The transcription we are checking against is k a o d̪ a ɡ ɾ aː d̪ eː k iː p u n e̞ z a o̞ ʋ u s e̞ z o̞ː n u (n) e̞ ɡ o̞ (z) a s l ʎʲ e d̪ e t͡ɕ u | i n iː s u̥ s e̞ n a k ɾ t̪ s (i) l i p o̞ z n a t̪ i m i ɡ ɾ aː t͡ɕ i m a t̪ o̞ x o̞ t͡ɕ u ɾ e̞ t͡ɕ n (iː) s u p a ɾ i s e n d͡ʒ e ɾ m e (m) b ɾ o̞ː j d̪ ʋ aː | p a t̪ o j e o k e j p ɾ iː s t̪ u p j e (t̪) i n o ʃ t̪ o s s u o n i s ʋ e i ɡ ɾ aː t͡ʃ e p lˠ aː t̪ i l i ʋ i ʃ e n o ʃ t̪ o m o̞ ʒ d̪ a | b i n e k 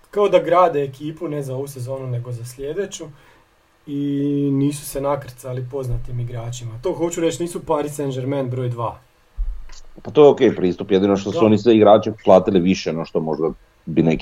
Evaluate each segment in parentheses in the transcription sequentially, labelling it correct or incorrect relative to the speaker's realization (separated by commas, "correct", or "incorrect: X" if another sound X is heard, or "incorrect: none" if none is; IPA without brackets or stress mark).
correct, correct, incorrect: a, correct, incorrect: n, incorrect: d̪